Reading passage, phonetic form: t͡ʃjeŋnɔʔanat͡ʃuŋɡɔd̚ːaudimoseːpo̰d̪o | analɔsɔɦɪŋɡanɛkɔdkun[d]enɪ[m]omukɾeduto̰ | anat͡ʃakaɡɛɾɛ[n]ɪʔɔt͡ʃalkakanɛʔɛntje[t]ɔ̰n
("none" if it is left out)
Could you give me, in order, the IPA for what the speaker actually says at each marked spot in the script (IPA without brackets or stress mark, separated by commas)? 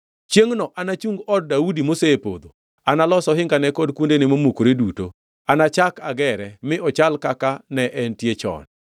d, m, m, t͡ʃ